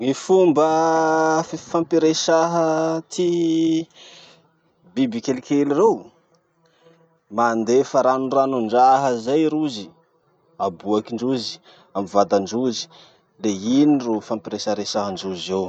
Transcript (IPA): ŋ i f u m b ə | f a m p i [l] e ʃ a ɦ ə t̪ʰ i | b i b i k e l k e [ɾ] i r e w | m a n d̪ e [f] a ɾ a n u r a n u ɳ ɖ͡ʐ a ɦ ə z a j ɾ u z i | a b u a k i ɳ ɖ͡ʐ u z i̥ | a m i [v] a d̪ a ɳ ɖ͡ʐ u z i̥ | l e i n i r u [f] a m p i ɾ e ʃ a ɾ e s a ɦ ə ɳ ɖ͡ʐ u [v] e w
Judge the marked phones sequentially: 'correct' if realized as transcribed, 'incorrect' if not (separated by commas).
incorrect, incorrect, correct, correct, correct, incorrect